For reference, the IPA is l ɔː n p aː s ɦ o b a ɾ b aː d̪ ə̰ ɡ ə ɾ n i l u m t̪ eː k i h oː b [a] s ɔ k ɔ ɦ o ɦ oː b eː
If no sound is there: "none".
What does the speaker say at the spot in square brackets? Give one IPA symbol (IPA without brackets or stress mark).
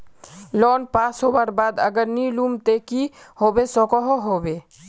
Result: e